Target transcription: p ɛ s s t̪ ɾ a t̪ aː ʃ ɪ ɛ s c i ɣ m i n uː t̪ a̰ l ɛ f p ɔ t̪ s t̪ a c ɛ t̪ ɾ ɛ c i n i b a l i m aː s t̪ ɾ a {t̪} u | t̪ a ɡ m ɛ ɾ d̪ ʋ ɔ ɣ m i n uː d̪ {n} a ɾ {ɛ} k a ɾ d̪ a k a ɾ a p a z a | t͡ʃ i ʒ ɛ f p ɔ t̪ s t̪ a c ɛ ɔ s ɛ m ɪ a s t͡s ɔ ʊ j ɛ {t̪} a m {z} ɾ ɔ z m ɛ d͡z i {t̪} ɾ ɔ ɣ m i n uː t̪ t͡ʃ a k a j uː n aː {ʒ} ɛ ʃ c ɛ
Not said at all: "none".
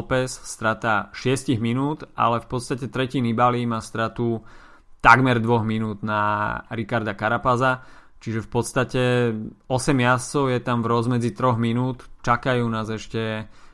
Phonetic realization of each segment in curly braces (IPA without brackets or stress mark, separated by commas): t̪, n, i, t̪, v, t̪, z